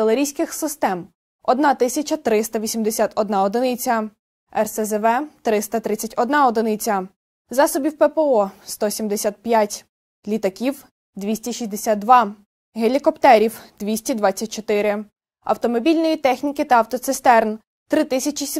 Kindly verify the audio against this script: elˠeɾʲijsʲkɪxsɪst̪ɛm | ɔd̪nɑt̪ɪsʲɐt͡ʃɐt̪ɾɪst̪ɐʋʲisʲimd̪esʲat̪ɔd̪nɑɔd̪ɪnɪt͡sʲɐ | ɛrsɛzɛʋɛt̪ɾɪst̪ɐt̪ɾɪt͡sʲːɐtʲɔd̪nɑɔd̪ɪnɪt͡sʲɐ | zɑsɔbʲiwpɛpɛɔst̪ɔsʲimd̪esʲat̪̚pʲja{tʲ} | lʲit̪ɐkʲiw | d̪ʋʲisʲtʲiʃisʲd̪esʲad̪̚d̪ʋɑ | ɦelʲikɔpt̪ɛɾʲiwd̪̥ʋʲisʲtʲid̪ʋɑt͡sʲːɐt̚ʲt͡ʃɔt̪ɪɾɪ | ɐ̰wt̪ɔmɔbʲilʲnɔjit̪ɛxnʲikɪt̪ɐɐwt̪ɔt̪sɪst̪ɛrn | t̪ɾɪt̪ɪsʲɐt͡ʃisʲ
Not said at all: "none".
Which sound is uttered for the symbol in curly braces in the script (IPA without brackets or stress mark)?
tʲ